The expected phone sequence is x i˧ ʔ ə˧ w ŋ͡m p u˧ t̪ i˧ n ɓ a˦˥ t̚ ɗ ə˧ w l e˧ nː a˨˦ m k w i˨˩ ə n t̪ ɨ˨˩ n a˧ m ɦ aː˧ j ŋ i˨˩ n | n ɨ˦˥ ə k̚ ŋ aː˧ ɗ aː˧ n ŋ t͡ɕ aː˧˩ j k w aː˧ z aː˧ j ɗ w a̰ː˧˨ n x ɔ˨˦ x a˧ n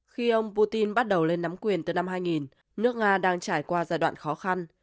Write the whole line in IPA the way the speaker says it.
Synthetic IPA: x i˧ ʔ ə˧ w ŋ͡m p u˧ t̪ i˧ n ɓ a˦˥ t̚ ɗ ə˨˩ w l e˧ nː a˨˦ m k w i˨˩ ə n t̪ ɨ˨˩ n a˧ m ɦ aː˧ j ŋ i˨˩ n | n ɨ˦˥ ə k̚ ŋ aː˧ ɗ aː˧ ŋ t͡ɕ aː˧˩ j k w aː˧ z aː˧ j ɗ w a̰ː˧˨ n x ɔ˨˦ x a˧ n